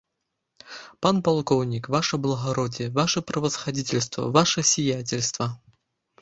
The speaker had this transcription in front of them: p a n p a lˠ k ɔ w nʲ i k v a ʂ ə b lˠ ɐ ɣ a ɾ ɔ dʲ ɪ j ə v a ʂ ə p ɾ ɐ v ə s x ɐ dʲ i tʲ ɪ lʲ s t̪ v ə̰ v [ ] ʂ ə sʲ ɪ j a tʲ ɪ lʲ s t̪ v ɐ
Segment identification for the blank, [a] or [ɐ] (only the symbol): a